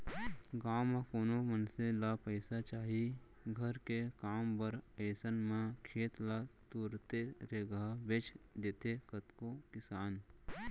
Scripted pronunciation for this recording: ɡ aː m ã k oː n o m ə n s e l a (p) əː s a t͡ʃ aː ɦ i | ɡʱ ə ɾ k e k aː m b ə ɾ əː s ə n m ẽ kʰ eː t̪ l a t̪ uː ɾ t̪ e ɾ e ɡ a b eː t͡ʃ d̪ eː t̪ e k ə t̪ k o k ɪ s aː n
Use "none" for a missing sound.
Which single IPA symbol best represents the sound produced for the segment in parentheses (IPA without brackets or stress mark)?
p